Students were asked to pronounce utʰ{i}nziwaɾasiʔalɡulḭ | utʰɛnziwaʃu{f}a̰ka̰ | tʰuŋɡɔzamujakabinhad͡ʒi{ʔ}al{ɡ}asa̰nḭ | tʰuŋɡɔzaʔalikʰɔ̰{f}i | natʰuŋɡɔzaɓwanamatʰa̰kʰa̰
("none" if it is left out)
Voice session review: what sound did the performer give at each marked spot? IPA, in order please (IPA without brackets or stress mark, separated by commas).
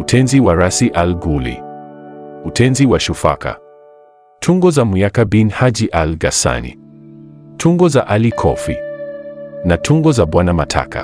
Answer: ɛ, f, ʔ, ɡ, f